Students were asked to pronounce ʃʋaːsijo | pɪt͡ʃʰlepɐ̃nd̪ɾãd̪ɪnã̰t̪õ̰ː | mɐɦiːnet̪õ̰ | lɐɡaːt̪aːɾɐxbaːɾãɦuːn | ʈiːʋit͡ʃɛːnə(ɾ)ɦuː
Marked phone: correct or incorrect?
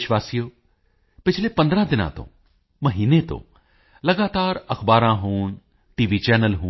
incorrect